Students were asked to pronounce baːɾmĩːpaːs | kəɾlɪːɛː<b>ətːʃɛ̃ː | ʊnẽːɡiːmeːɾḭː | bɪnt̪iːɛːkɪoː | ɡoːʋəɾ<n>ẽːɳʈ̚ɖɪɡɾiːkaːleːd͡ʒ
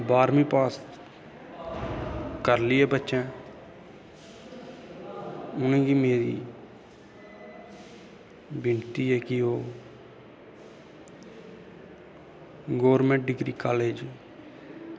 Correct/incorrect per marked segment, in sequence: correct, incorrect: m

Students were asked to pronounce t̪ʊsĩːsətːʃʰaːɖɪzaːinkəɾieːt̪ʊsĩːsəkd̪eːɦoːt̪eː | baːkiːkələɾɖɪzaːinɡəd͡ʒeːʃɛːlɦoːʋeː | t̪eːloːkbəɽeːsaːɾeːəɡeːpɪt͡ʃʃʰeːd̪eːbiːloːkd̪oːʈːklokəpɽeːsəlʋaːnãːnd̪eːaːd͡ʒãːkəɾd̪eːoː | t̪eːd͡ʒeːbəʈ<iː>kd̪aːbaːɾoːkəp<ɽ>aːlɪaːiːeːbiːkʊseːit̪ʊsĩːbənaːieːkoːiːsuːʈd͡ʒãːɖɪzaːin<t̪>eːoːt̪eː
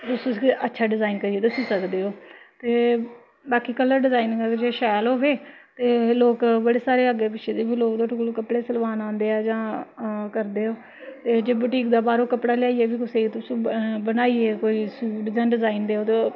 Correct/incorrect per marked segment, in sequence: correct, correct, incorrect: d̪

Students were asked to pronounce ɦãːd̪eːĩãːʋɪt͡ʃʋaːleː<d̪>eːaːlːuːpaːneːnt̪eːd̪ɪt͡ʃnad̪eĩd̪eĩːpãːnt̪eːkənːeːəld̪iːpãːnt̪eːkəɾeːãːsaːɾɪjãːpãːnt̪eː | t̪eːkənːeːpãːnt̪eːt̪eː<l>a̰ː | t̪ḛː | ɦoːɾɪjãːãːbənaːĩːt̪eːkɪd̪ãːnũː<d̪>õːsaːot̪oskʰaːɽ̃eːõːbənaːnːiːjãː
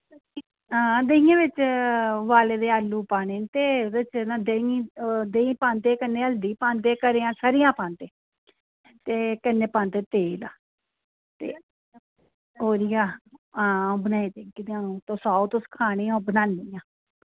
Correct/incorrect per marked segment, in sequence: correct, correct, incorrect: t̪

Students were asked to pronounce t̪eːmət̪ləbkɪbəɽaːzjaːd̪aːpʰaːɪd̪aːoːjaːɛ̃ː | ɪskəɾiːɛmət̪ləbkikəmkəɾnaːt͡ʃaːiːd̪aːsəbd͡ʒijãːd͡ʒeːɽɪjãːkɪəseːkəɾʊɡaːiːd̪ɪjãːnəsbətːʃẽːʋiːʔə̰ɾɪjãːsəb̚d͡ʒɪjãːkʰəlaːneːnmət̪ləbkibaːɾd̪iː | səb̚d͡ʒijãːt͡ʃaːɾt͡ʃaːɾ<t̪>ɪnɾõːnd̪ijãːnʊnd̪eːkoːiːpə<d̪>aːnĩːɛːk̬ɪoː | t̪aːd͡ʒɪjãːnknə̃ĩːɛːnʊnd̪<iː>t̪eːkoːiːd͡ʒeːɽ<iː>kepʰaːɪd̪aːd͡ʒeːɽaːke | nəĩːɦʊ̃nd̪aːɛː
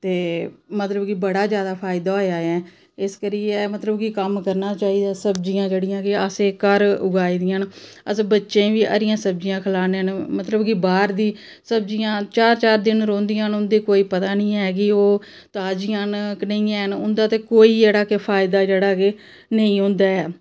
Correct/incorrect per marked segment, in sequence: incorrect: d̪, incorrect: t̪, incorrect: aː, incorrect: aː

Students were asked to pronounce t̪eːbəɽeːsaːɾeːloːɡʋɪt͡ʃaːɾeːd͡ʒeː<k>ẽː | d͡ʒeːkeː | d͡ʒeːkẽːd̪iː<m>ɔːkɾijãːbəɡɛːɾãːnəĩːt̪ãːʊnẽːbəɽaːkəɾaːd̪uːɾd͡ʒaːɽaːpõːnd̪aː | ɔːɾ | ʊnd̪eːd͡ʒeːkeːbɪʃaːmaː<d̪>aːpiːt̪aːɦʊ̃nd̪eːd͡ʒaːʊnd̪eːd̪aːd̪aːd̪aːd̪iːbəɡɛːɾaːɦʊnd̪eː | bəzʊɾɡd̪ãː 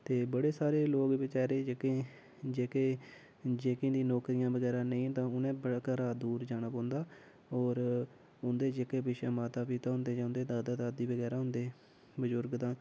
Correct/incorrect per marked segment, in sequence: correct, incorrect: n, incorrect: t̪

